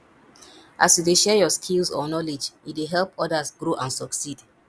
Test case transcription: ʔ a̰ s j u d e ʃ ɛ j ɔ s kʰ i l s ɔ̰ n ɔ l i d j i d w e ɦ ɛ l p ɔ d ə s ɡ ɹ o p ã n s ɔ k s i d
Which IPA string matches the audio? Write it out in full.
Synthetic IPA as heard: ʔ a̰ s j u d e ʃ ɛ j ɔ s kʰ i l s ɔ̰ n ɔ l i d͡ʒ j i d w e ɦ ɛ l p ɔ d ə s ɡ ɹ o ʔ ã n s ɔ k s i d